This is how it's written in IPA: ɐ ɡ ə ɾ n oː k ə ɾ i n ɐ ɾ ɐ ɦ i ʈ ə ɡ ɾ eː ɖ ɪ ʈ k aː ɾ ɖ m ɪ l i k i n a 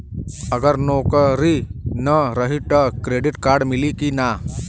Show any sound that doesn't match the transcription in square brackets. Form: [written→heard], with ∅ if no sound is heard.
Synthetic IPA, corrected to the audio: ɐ ɡ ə ɾ n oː k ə ɾ i n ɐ ɾ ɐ ɦ i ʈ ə [ɡ→k] ɾ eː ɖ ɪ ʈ k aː ɾ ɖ m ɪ l i k i n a